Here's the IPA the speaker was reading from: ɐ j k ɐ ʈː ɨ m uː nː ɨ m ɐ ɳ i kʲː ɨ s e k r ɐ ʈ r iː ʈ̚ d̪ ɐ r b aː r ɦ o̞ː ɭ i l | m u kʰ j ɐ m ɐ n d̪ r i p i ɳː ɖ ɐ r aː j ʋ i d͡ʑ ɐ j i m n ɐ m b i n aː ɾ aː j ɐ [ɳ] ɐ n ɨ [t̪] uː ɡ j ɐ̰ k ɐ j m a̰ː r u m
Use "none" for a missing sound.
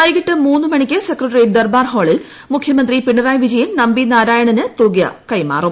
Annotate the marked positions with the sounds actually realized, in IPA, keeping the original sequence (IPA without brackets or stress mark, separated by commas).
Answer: ɳ, t̪